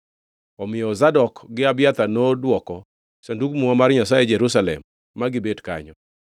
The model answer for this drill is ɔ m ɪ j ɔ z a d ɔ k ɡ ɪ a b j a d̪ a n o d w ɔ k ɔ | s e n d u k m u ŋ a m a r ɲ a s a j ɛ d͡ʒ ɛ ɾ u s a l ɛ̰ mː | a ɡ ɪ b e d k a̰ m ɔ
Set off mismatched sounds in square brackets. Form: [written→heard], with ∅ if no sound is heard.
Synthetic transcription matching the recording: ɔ m ɪ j ɔ z a d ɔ k ɡ ɪ a b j a [d̪→t̪] a n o d w ɔ k ɔ | s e n d u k m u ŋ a m a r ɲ a s a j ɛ d͡ʒ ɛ ɾ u s a l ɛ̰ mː | a ɡ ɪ b e d k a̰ [m→ɲ] ɔ